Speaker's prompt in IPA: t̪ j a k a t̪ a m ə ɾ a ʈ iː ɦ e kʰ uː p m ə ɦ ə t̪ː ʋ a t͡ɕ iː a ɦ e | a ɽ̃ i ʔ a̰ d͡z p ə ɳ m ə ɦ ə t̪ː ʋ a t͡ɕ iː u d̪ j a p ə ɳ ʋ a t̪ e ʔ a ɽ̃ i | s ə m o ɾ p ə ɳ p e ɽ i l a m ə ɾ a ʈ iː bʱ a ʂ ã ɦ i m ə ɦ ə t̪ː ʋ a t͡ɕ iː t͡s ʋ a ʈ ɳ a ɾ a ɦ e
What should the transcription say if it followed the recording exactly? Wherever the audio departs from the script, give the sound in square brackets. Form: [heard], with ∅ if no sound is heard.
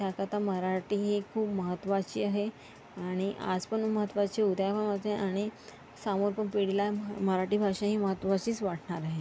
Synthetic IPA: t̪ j a k a t̪ a m ə ɾ a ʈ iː ɦ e kʰ uː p m ə ɦ ə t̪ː ʋ a t͡ɕ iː a ɦ e | a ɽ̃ i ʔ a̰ d͡z p ə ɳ m ə ɦ ə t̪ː ʋ a t͡ɕ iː u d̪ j a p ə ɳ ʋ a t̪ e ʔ a ɽ̃ i | s [a] m o ɾ p ə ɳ p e ɽ i l a m ə ɾ a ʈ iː bʱ a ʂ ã ɦ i m ə ɦ ə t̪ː ʋ a t͡ɕ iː t͡s ʋ a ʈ ɳ a ɾ a ɦ e